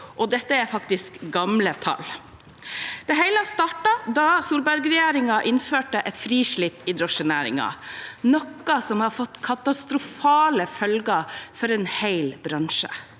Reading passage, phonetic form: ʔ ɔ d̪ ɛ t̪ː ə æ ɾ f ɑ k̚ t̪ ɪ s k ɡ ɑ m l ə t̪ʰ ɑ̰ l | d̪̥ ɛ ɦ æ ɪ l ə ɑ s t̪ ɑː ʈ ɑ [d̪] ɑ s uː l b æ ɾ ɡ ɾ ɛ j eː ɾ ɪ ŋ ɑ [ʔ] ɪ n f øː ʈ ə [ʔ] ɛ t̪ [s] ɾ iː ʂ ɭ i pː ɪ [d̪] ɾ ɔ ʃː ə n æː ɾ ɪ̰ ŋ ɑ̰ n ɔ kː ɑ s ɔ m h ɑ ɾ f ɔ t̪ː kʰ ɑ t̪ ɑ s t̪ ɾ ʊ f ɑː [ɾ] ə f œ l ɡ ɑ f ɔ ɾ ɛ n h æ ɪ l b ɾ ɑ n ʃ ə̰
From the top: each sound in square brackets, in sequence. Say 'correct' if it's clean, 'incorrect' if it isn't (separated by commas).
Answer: correct, correct, correct, incorrect, correct, incorrect